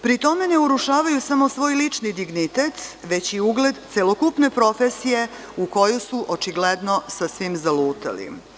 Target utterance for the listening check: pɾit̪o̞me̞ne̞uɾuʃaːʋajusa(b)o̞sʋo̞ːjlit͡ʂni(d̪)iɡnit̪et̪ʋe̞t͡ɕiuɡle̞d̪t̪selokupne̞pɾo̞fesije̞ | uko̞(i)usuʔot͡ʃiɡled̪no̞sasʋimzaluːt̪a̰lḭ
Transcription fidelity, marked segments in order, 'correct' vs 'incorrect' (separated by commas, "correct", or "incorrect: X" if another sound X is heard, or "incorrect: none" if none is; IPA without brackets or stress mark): incorrect: m, correct, incorrect: j